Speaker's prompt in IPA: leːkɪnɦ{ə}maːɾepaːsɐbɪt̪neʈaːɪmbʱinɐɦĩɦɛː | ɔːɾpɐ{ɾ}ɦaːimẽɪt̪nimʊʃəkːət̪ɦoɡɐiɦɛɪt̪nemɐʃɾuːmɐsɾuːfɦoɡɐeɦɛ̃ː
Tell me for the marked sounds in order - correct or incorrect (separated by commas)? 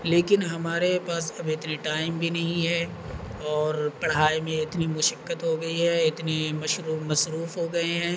incorrect, incorrect